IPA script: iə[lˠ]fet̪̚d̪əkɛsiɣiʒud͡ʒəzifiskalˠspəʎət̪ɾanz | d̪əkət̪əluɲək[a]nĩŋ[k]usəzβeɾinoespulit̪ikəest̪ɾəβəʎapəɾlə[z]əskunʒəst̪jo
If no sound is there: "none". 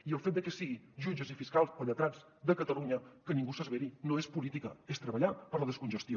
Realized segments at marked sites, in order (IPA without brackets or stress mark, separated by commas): lˠ, ə, ɡ, ð